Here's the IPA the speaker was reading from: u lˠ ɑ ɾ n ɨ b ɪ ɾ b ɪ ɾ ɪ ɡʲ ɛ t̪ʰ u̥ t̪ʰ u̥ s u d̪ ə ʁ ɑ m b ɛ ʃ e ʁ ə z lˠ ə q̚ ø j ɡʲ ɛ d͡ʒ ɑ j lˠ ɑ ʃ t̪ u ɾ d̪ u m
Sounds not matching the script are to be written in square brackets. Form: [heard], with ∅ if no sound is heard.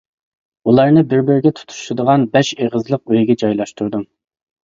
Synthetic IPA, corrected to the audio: u lˠ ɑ ɾ n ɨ b ɪ ɾ b ɪ ɾ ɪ ɡʲ ɛ t̪ʰ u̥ t̪ʰ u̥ [ʃ] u d̪ ə ʁ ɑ [n] b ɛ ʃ e ʁ ə z lˠ ə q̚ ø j ɡʲ ɛ d͡ʒ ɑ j lˠ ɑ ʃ t̪ u ɾ d̪ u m

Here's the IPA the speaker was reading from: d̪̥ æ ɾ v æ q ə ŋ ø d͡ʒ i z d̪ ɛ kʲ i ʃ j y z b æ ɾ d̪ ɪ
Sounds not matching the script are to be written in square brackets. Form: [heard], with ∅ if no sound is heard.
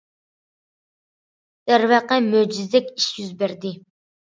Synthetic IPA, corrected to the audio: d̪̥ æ ɾ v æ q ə [m] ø d͡ʒ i z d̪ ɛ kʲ i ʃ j y z b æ ɾ d̪ ɪ

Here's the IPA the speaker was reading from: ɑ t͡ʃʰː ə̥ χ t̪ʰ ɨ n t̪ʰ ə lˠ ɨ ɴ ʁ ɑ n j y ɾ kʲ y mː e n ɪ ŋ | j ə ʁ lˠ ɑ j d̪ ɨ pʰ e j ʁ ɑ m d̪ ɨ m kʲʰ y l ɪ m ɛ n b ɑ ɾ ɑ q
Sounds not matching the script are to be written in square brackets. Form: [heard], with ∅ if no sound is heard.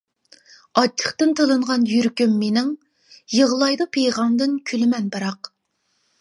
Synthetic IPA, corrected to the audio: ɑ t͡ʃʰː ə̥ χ [t̪] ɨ n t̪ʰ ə lˠ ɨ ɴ ʁ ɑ n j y ɾ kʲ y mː e n ɪ ŋ | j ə ʁ lˠ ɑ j d̪ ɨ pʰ e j ʁ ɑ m d̪ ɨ [n] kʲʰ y l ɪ m ɛ n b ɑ ɾ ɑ q

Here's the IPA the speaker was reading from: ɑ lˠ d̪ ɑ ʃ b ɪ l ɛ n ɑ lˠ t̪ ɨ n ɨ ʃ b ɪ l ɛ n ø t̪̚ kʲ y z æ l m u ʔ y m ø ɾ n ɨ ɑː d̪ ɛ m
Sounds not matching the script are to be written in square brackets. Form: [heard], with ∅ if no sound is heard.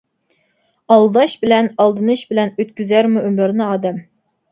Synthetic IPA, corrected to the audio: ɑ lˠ d̪ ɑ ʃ b ɪ l ɛ n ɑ lˠ [d̪] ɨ n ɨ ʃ b ɪ l ɛ n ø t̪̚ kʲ y z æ [ɾ] m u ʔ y m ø ɾ n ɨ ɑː d̪ ɛ m

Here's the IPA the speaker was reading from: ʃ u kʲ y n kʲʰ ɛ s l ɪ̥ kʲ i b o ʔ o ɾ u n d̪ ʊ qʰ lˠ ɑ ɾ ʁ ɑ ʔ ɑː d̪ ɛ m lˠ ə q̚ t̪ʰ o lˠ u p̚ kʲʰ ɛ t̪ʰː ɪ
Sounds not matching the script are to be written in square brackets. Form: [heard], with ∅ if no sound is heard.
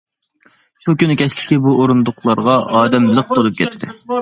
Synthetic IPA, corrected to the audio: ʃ u kʲ y n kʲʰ ɛ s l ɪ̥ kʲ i b [u] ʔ o ɾ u n d̪ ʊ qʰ lˠ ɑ ɾ ʁ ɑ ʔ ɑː d̪ ɛ m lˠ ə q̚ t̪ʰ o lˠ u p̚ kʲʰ ɛ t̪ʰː ɪ

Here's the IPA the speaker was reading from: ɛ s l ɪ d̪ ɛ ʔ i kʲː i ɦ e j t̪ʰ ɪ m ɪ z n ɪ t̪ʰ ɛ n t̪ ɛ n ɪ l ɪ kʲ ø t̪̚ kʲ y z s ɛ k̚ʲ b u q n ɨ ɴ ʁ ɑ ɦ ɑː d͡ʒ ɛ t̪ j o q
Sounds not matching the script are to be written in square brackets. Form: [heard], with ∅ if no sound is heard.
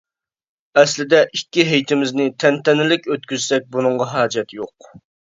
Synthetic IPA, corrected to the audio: ɛ s l ɪ d̪ ɛ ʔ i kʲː i ɦ e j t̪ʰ ɪ m ɪ z n ɪ t̪ʰ ɛ n t̪ ɛ n ɪ l ɪ kʲ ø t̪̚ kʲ y z s ɛ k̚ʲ b u [∅] n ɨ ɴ ʁ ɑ ɦ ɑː d͡ʒ ɛ t̪ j o q

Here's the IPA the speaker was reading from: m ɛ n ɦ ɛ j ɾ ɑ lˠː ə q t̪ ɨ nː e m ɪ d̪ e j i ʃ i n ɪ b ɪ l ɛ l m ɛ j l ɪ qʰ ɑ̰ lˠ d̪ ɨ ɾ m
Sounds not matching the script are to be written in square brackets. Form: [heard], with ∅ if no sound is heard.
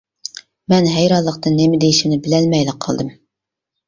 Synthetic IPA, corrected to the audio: m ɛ n ɦ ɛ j ɾ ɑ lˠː ə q t̪ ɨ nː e m ɪ d̪ e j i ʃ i n ɪ b ɪ l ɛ l m ɛ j l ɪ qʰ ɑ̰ lˠ d̪ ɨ [∅] m

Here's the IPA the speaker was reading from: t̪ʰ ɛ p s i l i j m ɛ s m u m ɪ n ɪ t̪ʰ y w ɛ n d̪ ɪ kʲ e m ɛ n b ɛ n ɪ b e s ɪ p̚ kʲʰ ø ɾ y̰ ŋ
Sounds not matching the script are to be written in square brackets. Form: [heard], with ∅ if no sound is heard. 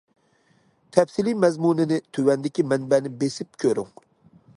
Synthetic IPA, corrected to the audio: t̪ʰ ɛ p s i l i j m ɛ [z] m u [n] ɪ n ɪ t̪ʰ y w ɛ n d̪ ɪ kʲ [i] m ɛ n b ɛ n ɪ b e s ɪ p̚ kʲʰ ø ɾ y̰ ŋ

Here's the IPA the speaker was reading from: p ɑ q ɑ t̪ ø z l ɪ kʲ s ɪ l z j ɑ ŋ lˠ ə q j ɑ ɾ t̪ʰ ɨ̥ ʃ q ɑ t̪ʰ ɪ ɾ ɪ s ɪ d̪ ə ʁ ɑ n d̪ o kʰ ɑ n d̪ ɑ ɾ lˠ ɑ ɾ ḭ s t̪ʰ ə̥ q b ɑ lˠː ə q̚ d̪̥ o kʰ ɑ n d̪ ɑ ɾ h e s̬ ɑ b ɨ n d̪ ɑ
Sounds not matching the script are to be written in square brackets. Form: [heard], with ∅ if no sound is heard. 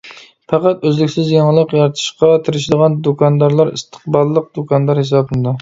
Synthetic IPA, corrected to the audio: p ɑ q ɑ t̪ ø z l ɪ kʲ s ɪ [∅] z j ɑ ŋ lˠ ə q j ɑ ɾ t̪ʰ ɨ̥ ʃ q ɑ t̪ʰ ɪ ɾ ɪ [ʃ] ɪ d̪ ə ʁ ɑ n d̪ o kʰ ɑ n d̪ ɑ ɾ lˠ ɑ ɾ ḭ s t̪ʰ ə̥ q b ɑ lˠː ə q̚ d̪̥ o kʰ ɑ n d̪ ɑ ɾ h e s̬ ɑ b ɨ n d̪ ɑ

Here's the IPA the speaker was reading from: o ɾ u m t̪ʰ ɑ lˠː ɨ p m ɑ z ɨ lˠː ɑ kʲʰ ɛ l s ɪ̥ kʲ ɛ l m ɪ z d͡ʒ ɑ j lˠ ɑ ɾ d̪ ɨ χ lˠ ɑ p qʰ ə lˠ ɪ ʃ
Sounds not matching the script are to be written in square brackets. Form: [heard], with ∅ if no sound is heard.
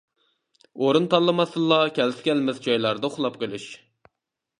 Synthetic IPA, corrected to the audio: o ɾ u [n] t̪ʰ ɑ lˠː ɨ [∅] m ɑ [s] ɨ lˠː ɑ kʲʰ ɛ l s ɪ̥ kʲ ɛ l m ɪ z d͡ʒ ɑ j lˠ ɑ ɾ d̪ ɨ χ lˠ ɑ p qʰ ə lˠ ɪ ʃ

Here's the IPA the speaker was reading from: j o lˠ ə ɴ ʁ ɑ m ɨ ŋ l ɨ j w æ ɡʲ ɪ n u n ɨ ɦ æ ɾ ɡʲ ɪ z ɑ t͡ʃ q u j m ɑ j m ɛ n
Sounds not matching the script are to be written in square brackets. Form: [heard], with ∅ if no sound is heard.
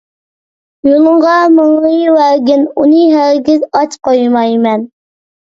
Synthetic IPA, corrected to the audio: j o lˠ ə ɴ ʁ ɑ m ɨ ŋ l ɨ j w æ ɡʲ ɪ n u n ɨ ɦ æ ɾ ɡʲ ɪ z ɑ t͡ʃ q [o] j m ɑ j m ɛ n

